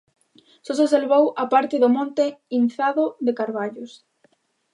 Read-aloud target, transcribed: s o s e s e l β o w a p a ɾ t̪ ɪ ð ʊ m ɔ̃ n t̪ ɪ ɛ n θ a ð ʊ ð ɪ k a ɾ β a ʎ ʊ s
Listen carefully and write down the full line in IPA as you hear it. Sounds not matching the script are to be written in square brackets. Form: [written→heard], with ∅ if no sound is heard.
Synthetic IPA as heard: s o s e s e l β o w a p a ɾ t̪ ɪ ð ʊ m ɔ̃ n t̪ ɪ [ɛ→i] n θ a ð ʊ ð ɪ k a ɾ β a ʎ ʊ s